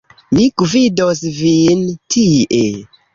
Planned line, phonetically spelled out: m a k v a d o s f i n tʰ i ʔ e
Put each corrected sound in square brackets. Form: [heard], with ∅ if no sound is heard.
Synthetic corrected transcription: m [i] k v [i] d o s [v] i n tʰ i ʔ e